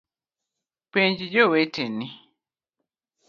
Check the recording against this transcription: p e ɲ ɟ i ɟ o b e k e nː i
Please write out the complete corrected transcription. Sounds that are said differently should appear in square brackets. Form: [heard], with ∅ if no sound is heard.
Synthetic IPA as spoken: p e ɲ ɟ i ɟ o [w] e [t] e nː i